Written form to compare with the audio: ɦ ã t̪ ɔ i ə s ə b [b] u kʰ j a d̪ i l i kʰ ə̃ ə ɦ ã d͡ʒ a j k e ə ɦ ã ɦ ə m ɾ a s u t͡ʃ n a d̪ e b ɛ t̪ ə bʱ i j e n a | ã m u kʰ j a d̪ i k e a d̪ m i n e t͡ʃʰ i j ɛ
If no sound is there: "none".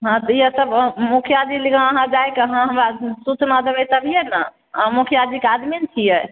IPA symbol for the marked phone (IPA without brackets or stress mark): m